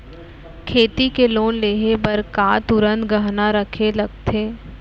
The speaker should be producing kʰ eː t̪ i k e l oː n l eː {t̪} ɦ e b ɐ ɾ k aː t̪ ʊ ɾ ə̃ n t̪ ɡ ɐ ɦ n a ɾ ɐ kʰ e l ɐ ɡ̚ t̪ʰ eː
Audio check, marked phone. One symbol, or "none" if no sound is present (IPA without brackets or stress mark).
none